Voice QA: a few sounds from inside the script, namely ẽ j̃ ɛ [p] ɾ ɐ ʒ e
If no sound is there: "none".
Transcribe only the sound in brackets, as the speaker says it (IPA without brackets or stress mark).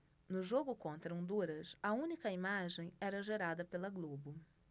none